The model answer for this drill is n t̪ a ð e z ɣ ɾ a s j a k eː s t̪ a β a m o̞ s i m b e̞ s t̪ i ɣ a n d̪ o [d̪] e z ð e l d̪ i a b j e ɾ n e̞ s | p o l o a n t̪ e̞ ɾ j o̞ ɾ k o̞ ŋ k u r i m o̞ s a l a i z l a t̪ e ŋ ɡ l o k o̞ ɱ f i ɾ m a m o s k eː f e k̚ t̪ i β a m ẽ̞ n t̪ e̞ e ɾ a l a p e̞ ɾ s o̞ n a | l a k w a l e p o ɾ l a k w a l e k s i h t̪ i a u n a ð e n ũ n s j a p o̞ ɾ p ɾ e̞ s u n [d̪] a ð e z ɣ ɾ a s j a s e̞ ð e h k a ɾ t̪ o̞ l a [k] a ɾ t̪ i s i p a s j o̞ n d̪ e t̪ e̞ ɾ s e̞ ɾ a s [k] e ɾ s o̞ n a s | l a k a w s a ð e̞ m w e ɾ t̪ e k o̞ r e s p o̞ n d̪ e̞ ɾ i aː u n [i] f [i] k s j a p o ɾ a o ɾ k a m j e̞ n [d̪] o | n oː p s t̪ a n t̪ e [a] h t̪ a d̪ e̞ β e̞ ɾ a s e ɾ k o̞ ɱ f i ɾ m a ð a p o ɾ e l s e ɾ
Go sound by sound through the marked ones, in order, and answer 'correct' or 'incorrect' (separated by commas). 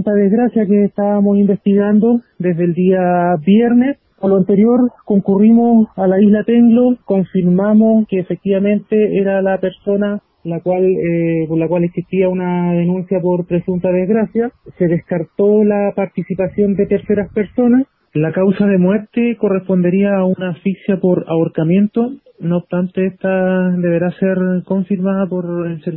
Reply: correct, incorrect, incorrect, incorrect, incorrect, correct, incorrect, incorrect